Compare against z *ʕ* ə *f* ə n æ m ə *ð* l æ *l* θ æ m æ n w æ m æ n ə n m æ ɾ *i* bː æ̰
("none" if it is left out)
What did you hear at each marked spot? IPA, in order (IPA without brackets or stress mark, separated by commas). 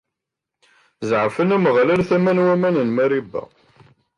ʕ, f, ʁ, l, i